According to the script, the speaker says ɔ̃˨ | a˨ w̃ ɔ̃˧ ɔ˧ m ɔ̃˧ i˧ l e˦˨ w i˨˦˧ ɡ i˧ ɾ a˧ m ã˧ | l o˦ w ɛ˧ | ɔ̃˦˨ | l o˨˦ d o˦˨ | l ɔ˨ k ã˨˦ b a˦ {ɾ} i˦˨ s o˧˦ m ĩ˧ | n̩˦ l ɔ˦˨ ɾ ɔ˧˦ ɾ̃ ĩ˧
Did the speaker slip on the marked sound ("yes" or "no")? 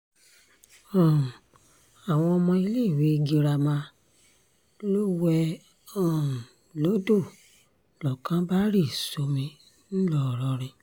no